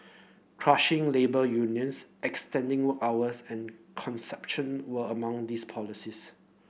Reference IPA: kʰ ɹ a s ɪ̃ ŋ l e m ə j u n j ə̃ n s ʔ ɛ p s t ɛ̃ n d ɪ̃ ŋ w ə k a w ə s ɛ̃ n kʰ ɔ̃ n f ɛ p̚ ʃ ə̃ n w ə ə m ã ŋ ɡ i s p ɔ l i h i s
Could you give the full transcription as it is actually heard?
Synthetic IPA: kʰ ɹ a ʃ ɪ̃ ŋ l e b ə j u n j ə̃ n s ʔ ɛ k s t ɛ̃ n d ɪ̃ ŋ w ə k a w ə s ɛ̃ n kʰ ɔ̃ n s ɛ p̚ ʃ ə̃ n w ə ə m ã ŋ d i s pʰ ɔ l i s i s

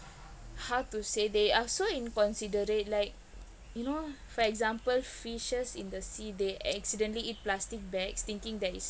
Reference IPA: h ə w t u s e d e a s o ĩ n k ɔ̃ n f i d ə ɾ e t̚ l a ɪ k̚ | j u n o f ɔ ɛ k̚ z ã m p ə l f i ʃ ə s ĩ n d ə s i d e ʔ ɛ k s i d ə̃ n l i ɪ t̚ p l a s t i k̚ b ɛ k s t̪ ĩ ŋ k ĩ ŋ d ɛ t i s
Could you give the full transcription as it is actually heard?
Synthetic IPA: h a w t u s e d e a s o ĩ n k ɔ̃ n s i d ə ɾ e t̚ l a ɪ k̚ | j u n o f ɔ ɛ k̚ z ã m p ə l f i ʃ ə s ĩ n d ə s i d e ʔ ɛ k s i d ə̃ n l i i t̚ p l a s t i k̚ b ɛ k s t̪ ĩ ŋ k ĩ ŋ d ɛ t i s

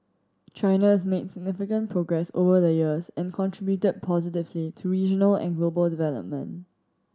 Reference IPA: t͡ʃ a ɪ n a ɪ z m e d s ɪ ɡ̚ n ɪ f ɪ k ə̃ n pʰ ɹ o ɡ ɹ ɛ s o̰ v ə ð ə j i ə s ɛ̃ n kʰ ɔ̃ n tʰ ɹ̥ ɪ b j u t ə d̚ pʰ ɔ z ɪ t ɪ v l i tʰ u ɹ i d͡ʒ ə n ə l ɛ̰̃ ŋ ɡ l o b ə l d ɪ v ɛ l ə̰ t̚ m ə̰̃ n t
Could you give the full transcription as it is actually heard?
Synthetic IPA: t͡ʃ a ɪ n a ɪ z m e d s ɪ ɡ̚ n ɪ f ɪ k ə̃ n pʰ ɹ o ɡ ɹ ɛ s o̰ v ə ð ə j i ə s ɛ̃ n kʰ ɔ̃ n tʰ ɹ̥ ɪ b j u t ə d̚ pʰ ɔ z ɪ t ɪ v l i tʰ u ɹ i d͡ʒ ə n ə l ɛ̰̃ n ɡ l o b ə l d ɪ v ɛ l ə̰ p̚ m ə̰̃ n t

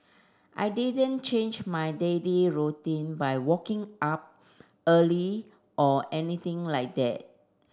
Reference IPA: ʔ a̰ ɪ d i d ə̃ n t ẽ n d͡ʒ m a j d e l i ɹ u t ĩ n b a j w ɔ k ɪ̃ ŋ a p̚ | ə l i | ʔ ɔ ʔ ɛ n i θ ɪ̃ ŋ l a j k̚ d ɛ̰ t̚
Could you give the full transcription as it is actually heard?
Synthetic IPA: ʔ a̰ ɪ d i d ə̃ n t͡ʃ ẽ n d͡ʒ m a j d e l i ɹ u t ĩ n b a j w ɔ k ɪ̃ ŋ a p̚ | ə l i | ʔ ɔ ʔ ɛ n i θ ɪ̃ ŋ l a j k̚ d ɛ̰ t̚

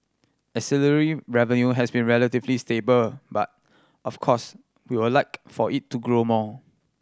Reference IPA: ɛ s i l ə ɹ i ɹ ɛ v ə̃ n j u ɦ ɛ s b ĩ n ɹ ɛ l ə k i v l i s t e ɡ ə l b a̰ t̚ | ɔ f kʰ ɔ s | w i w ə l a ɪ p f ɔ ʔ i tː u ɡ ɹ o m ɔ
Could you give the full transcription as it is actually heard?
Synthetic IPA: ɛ s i l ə ɹ i ɹ ɛ v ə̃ n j u ɦ ɛ s b ĩ n ɹ ɛ l ə t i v l i s t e b ə l b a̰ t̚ | ɔ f kʰ ɔ s | w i w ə l a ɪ k f ɔ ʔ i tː u ɡ ɹ o m ɔ

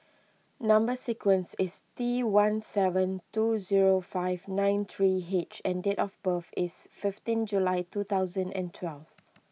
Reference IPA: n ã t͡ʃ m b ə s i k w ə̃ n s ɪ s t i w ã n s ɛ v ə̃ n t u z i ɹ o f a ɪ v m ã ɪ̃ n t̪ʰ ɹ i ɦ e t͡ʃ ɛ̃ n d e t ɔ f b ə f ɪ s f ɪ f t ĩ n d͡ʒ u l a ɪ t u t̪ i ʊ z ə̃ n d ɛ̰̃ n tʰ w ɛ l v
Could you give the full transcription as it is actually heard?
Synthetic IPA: n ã m b ə s i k w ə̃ n s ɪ s t i w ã n s ɛ v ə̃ n t u z i ɹ o f a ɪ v n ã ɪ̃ n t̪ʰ ɹ i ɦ e t͡ʃ ɛ̃ n d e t ɔ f b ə f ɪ s f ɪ f t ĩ n d͡ʒ u l a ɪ t u t̪ a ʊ z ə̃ n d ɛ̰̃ n tʰ w ɛ l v

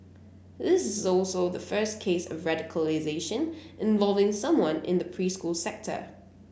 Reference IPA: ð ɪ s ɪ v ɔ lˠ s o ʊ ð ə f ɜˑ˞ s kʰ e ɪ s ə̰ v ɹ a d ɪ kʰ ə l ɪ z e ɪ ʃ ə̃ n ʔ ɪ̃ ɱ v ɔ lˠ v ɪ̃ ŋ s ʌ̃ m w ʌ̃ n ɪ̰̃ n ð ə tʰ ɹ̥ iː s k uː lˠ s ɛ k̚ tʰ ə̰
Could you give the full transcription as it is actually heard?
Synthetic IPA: ð ɪ s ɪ z ɔ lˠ s o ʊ ð ə f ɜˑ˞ s kʰ e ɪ s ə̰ v ɹ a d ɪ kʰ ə l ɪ z e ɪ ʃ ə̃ n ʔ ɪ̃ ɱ v ɔ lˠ v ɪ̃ ŋ s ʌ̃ m w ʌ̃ n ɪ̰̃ n ð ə pʰ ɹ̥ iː s k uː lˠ s ɛ k̚ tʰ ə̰

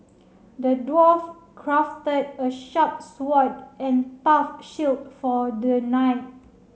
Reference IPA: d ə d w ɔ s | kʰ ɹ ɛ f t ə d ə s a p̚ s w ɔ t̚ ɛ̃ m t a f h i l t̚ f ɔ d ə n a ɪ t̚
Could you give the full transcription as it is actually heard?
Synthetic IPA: d ə d w ɔ f | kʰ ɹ a f t ə d ə ʃ a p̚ s w ɔ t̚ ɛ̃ n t a f ʃ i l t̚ f ɔ d ə n a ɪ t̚

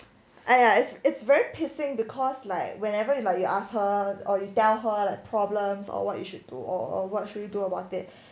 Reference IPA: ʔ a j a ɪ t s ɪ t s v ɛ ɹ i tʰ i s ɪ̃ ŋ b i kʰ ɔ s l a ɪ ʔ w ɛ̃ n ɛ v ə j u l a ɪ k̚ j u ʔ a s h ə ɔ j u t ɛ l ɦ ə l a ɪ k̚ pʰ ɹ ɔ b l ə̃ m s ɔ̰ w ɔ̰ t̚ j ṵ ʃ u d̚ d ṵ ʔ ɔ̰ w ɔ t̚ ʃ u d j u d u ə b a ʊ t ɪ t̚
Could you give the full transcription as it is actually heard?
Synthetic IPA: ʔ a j a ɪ t s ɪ t s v ɛ ɹ i pʰ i s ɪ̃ ŋ b i kʰ ɔ s l a ɪ k w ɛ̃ n ɛ v ə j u l a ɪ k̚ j u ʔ a s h ə ɔ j u t ɛ l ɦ ə l a ɪ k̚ pʰ ɹ ɔ b l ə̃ m s ɔ̰ w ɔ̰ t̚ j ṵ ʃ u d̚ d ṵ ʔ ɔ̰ w ɔ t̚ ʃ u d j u d u ə b a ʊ t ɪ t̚

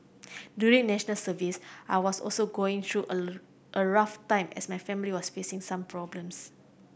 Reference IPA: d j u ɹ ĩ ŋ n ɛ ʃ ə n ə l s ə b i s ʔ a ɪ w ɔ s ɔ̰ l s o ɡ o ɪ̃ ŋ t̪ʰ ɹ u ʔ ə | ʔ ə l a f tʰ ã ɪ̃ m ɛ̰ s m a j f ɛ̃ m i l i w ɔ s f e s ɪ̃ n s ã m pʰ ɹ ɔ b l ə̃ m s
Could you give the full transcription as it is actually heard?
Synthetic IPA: d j u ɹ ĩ ŋ n ɛ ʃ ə n ə l s ə v i s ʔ a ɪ w ɔ s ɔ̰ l s o ɡ o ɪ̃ ŋ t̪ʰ ɹ u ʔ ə | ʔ ə ɹ a f t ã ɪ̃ m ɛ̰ s m a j f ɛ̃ m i l i w ɔ s f e s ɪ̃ ŋ s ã m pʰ ɹ ɔ b l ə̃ m s

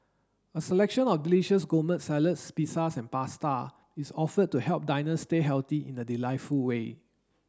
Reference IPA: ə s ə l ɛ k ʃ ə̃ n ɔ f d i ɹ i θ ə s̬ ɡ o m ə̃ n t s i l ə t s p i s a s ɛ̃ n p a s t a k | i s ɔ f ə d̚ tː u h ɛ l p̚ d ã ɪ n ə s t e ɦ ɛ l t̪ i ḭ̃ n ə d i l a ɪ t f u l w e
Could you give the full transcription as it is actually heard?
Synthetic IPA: ə s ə l ɛ k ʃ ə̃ n ɔ f d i l i ʃ ə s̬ ɡ o m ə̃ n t s ɛ l ə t s p i s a s ɛ̃ n p a s t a | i s ɔ f ə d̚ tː u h ɛ l p̚ d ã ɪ n ə s t e ɦ ɛ l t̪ i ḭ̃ n ə d i l a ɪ t f u l w e

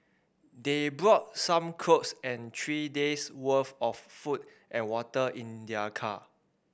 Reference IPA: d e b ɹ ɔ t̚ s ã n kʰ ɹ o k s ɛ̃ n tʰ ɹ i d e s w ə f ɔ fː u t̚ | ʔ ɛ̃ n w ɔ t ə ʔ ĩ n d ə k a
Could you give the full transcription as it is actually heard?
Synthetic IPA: d e b ɹ ɔ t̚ s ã m kʰ ɹ o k s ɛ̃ n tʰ ɹ i d e s w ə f ɔ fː u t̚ | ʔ ɛ̃ n w ɔ t ə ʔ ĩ n d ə kʰ a

